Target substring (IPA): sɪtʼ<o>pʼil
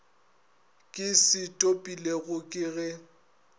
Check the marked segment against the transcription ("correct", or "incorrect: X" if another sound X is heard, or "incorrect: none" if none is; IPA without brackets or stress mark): correct